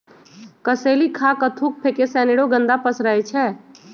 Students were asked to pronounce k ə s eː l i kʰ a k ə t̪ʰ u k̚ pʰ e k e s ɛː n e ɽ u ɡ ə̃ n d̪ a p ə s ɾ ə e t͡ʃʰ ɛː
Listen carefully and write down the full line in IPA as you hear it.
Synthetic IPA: k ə s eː l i kʰ a k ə t̪ʰ u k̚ pʰ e k e s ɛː n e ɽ o ɡ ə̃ n d̪ a p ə s ɾ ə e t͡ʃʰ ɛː